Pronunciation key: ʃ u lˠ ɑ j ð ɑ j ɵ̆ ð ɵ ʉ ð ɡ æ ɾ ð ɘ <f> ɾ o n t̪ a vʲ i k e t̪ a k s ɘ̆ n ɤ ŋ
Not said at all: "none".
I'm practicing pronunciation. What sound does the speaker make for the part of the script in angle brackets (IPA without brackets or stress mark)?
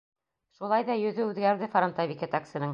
f